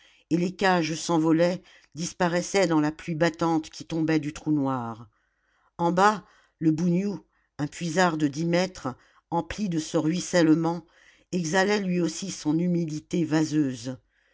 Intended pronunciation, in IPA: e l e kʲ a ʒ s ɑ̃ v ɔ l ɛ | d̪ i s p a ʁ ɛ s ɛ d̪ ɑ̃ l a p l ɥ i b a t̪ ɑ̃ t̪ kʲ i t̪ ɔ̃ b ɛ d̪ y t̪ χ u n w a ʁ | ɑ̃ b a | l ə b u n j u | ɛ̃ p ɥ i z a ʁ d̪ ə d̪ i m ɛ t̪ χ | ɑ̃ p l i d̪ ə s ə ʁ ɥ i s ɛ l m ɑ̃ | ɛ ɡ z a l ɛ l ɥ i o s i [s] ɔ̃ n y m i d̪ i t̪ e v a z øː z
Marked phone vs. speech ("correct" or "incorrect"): correct